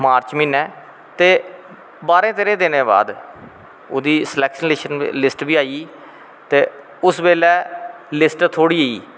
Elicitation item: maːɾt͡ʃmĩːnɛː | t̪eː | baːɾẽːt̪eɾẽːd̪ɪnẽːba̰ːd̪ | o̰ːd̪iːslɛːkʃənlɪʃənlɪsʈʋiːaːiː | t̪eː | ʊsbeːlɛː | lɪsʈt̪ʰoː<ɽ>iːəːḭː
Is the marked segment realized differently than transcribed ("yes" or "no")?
no